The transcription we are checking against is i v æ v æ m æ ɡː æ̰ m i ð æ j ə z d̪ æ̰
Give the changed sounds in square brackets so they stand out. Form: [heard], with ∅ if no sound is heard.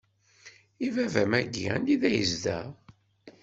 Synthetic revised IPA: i v æ v æ m æ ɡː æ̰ [n] i ð æ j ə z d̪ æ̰